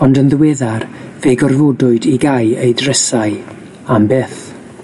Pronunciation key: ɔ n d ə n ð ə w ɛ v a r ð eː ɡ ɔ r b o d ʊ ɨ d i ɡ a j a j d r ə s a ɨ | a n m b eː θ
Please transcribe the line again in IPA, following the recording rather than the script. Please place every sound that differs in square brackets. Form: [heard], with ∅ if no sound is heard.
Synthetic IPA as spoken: ɔ n d ə n ð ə w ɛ [ð] a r [v] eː ɡ ɔ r [v] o d ʊ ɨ d i ɡ a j [e] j d r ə s a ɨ | a [∅] m b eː θ